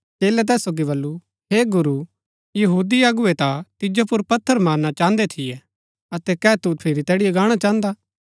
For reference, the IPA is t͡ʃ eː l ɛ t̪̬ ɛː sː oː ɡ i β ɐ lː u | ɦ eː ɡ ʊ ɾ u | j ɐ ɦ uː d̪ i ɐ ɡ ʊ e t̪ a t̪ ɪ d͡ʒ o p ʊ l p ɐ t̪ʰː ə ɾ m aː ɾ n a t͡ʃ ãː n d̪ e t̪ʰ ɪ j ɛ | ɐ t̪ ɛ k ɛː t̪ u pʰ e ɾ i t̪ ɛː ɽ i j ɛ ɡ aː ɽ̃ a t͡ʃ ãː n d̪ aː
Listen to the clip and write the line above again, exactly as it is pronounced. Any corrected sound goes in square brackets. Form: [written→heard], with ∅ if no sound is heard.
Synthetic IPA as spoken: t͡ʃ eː l ɛ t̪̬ ɛː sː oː ɡ i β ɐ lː u | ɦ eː ɡ ʊ ɾ u | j ɐ ɦ uː d̪ i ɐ ɡ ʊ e t̪ a t̪ ɪ d͡ʒ o p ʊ [l→ɾ] p ɐ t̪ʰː ə ɾ m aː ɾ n a t͡ʃ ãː n d̪ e t̪ʰ ɪ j ɛ | ɐ t̪ ɛ k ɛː t̪ u pʰ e ɾ i t̪ ɛː ɽ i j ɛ ɡ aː ɽ̃ a t͡ʃ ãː n d̪ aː